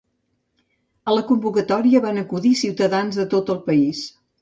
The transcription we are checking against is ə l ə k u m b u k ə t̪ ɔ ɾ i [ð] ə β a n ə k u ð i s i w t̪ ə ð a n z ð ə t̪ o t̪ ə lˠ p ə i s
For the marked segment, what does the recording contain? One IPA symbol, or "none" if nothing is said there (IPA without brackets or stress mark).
none